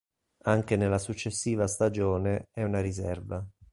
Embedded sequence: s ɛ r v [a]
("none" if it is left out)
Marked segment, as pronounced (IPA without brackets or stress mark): a